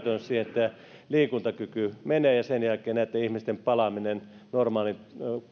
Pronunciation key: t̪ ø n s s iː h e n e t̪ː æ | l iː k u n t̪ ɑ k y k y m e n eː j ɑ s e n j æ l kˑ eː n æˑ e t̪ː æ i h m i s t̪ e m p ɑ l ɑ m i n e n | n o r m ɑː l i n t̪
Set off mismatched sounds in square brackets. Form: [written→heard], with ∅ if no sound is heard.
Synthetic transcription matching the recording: t̪ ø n s s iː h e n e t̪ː æ | l iː k u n t̪ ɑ k y k y m e n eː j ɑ s e n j æ l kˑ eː n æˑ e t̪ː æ i h m i s t̪ e m p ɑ l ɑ m i n e n | n o r m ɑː l i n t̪